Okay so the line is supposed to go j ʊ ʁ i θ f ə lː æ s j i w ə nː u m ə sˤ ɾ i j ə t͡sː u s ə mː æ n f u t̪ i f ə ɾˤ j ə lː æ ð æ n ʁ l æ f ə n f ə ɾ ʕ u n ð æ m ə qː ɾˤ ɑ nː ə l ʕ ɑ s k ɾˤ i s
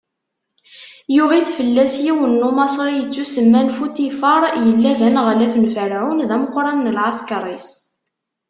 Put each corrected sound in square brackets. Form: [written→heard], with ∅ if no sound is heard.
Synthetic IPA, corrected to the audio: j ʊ ʁ i θ f ə lː æ s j i w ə nː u m [ə→ɑ] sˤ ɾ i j ə t͡sː u s ə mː æ n f u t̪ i f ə ɾˤ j ə lː æ ð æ n ʁ l æ f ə n f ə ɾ ʕ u n ð æ m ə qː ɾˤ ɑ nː ə l ʕ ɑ s k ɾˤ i s